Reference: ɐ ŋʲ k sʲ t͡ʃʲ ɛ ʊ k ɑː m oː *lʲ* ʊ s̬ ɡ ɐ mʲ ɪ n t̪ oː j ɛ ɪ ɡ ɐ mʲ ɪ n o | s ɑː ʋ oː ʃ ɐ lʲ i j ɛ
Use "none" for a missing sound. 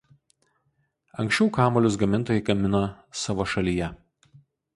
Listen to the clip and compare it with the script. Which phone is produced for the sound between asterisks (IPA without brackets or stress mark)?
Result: lʲ